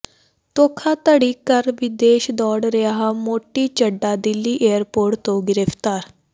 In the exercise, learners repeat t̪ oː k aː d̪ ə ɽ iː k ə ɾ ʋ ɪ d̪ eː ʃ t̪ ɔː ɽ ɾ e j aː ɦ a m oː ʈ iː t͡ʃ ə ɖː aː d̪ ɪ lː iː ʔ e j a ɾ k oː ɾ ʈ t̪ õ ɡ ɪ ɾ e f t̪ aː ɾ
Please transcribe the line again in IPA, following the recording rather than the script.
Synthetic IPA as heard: t̪ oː kʰ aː t̪ ə ɽ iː k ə ɾ ʋ ɪ d̪ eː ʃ d̪ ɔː ɽ ɾ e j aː ɦ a m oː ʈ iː t͡ʃ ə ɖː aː d̪ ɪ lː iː ʔ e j ə ɾ p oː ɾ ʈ t̪ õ ɡ ɪ ɾ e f t̪ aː ɾ